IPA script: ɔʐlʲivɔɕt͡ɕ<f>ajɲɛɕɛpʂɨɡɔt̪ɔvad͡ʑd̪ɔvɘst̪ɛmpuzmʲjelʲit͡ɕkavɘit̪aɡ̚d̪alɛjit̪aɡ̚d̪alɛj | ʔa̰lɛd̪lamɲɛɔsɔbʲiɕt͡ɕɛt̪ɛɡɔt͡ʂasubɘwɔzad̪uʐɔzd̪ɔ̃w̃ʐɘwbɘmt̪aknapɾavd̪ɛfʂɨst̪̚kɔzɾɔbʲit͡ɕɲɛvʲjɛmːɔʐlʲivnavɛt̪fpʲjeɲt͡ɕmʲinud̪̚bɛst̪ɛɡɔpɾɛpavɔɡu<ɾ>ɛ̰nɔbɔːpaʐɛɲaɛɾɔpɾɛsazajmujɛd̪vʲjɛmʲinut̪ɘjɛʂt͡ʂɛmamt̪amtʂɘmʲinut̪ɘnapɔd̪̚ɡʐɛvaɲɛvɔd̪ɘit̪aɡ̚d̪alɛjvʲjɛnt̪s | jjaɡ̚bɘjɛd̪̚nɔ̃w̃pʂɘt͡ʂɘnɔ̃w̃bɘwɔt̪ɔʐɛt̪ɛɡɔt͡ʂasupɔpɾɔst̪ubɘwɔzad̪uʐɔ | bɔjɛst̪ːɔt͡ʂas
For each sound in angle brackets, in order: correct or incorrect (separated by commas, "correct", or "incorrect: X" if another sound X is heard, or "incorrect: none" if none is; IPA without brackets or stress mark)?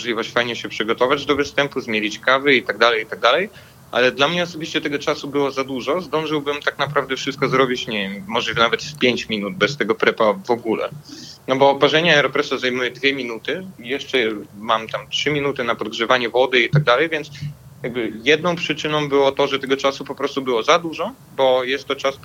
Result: correct, incorrect: l